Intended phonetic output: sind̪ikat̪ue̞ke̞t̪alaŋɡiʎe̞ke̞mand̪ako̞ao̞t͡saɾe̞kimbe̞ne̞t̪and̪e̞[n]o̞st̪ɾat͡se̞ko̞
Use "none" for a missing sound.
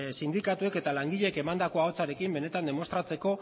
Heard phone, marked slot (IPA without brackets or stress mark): m